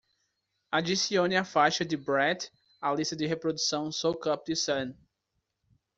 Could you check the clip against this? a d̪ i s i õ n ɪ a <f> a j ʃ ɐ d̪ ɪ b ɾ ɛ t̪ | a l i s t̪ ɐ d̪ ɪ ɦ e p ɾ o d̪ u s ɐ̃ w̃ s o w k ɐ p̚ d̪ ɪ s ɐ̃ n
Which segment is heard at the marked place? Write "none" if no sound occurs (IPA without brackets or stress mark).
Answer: f